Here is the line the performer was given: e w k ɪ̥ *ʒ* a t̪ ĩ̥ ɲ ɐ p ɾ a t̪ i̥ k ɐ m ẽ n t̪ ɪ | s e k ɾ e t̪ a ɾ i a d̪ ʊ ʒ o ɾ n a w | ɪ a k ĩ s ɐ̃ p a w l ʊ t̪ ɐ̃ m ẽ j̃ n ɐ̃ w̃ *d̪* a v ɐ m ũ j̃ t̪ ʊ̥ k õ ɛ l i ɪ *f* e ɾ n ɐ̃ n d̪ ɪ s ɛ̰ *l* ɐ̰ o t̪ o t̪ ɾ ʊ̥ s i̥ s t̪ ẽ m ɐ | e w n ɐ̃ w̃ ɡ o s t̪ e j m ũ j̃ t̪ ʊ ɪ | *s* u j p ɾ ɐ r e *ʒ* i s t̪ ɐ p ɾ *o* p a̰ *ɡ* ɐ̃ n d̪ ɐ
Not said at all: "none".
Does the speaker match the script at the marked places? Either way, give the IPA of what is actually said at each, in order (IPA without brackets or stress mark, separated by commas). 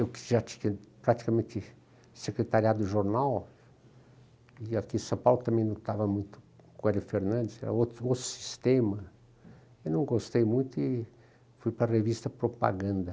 ʒ, t̪, f, ɾ, f, v, o, ɡ